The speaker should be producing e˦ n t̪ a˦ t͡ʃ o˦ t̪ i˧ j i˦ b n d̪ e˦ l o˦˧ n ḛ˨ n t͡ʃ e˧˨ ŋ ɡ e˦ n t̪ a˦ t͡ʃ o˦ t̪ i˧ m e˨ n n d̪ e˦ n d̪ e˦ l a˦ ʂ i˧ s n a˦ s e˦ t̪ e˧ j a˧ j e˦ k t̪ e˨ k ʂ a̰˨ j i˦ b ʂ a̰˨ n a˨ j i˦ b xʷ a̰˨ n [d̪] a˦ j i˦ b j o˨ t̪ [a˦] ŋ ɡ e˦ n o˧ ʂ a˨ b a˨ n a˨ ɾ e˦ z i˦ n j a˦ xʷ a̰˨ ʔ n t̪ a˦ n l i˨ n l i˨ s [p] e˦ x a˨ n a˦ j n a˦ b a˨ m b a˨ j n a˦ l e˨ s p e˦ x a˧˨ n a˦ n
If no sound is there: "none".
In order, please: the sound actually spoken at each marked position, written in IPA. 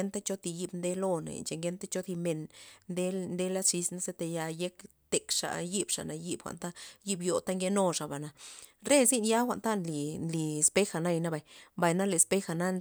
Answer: t̪, a˦, p

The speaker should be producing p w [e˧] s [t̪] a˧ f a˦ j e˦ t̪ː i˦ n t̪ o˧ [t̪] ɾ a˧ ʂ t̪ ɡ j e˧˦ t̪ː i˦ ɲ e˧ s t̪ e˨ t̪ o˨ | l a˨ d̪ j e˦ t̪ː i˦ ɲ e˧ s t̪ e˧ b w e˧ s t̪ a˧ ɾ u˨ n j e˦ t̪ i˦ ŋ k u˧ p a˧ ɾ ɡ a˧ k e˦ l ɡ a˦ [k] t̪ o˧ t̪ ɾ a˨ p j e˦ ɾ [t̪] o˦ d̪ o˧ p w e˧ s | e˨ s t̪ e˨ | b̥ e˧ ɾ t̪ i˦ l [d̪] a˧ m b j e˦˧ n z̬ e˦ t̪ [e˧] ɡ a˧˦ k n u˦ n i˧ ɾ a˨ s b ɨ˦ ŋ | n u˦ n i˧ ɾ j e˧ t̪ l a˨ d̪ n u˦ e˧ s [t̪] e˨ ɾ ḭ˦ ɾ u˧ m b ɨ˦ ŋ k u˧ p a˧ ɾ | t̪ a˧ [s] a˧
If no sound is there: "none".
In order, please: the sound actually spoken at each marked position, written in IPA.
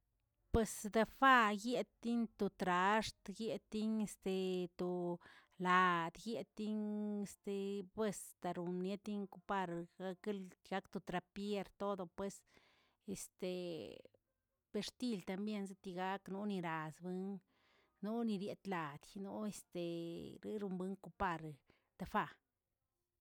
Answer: e˧, d̪, t̪, k, t̪, t̪, i˧, t̪, f

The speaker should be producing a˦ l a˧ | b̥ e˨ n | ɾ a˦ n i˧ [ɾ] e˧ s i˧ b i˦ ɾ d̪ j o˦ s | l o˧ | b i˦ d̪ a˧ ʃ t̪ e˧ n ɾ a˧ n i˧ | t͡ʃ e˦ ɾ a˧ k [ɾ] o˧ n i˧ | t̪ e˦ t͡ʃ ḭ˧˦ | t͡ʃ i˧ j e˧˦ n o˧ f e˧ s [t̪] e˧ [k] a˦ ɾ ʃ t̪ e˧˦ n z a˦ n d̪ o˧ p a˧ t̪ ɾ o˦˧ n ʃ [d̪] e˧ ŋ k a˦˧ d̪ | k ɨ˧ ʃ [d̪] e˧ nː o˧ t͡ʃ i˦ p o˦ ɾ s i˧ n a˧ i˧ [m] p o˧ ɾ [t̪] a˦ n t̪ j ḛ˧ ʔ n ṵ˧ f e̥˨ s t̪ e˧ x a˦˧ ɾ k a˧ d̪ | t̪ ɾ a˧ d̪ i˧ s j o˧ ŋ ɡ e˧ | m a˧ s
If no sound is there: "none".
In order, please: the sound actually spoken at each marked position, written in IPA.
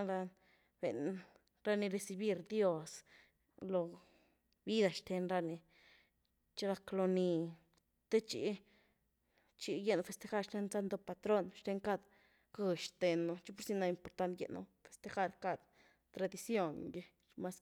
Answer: ɾ, l, t̪, x, t̪, t̪, m, t̪

